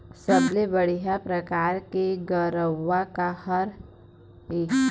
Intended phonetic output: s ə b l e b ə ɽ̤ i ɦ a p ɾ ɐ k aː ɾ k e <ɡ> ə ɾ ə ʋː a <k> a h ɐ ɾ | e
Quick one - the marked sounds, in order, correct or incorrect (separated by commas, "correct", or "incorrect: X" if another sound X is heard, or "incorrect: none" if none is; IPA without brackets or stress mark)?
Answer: correct, correct